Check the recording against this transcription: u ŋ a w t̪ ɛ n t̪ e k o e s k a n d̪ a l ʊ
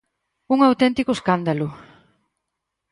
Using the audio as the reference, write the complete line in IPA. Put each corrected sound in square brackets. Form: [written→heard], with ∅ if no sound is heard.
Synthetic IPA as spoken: u ŋ a w t̪ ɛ n t̪ [e→i] k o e s k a n d̪ a l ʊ

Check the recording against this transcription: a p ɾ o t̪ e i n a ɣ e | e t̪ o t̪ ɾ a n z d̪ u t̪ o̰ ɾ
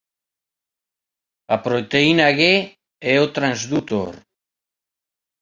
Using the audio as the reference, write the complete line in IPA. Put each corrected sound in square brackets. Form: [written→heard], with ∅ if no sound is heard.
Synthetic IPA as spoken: a p ɾ o t̪ e i n a ɣ e | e [t̪→∅] o t̪ ɾ a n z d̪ u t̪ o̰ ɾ

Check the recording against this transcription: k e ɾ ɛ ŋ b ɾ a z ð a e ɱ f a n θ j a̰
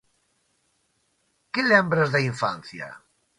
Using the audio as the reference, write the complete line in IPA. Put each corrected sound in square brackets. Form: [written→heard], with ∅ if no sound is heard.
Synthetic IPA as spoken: k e [ɾ→l] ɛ [ŋ→m] b ɾ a z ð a [e→i] ɱ f a n θ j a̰

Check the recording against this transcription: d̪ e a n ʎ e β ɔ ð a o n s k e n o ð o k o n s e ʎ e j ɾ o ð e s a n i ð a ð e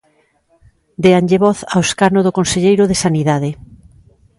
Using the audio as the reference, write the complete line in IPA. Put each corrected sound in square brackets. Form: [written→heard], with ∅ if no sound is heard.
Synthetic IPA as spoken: d̪ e a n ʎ e β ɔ [ð→θ] a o [n→∅] s k [e→a] n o ð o k o n s e ʎ e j ɾ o ð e s a n i ð a ð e

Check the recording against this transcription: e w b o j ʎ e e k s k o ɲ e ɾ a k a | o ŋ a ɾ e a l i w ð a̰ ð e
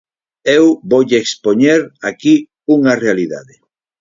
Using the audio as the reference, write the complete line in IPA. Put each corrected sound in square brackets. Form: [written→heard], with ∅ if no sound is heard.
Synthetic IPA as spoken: e w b o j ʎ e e k s [k→p] o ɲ e ɾ a k [a→i] | [o→u] ŋ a [ɾ→r] e a l i [w→∅] ð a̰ ð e

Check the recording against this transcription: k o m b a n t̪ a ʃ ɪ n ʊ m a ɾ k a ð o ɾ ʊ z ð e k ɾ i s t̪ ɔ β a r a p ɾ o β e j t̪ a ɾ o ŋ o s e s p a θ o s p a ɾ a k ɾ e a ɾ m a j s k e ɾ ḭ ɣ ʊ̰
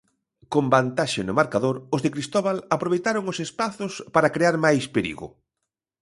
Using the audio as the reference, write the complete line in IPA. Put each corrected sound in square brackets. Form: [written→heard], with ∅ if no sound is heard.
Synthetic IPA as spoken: k o m b a n t̪ a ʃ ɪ n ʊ m a ɾ k a ð o ɾ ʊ z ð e k ɾ i s t̪ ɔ β a [r→l] a p ɾ o β e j t̪ a ɾ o ŋ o s e s p a θ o s p a ɾ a k ɾ e a ɾ m a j s [k→p] e ɾ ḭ ɣ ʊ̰

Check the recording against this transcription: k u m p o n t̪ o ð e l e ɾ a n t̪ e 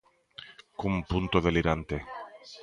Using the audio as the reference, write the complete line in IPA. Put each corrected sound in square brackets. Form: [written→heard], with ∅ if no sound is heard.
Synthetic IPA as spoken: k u m p [o→u] n t̪ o ð e l [e→i] ɾ a n t̪ e

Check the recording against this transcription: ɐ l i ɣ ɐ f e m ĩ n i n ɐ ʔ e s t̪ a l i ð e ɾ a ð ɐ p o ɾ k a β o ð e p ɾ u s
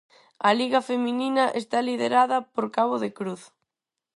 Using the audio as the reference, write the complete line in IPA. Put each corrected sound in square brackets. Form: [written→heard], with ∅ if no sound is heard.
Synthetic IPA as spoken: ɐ l i ɣ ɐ f e m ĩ n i n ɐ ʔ e s t̪ a l i ð e ɾ a ð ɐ p o ɾ k a β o ð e [p→k] ɾ u [s→θ]

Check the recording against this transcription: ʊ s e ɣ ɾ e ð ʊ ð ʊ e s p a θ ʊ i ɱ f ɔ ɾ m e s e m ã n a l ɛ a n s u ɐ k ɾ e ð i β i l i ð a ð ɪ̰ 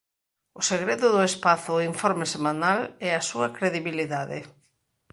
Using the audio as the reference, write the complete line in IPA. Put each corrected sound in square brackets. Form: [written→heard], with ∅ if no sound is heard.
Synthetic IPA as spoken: ʊ s e ɣ ɾ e ð ʊ ð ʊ e s p a θ ʊ i ɱ f ɔ ɾ m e s e m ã n a l ɛ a [n→∅] s u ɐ k ɾ e ð i β i l i ð a ð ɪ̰

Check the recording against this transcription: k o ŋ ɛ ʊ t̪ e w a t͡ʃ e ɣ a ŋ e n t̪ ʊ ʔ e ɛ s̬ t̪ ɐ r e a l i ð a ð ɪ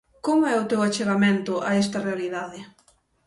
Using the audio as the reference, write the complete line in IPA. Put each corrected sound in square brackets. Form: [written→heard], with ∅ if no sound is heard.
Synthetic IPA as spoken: k o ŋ ɛ ʊ t̪ e w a t͡ʃ e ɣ a [ŋ→m] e n t̪ ʊ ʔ [e→a] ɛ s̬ t̪ ɐ r e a l i ð a ð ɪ

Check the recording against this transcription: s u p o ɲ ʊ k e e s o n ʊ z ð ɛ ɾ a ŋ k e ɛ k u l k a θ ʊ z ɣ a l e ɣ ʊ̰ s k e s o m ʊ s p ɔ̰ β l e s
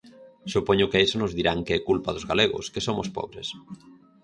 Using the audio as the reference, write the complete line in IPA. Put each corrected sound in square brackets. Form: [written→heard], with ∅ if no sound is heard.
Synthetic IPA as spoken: s u p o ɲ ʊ k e e s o n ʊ z ð [ɛ→i] ɾ a ŋ k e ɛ k u l [k→p] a [θ→ð] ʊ z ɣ a l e ɣ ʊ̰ s k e s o m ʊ s p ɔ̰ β [l→ɾ] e s

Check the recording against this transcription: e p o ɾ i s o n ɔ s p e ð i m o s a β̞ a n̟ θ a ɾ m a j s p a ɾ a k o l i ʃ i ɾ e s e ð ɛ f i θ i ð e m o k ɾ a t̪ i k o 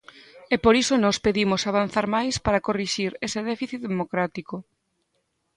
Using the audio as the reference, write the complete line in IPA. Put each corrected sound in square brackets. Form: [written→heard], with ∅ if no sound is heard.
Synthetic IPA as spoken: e p o ɾ i s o n ɔ s p e ð i m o s a β̞ a n̟ θ a ɾ m a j s p a ɾ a k o [l→r] i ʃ i ɾ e s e ð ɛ f i θ i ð e m o k ɾ a t̪ i k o

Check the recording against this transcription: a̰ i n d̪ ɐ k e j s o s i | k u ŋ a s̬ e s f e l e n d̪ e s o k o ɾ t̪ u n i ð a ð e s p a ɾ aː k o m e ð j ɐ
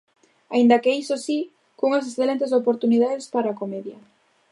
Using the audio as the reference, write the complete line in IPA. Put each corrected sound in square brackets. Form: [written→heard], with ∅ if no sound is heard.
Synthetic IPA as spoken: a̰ i n d̪ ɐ k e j s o s i | k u ŋ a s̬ e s [f→θ] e l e n [d̪→t̪] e s o [k→p] o ɾ t̪ u n i ð a ð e s p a ɾ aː k o m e ð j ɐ

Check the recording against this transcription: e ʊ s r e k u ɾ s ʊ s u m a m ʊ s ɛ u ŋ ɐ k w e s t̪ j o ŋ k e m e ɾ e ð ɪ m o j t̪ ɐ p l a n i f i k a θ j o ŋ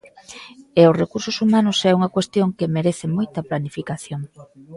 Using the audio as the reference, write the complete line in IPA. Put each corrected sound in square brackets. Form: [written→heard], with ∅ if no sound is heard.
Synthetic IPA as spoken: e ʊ s r e k u ɾ s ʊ s u m a [m→n] ʊ s ɛ u ŋ ɐ k w e s t̪ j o ŋ k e m e ɾ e [ð→θ] ɪ m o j t̪ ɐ p l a n i f i k a θ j o ŋ

